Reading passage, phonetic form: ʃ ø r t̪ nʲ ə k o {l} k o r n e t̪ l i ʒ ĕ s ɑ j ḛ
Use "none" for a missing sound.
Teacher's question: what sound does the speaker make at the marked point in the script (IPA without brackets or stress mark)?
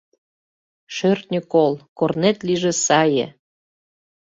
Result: l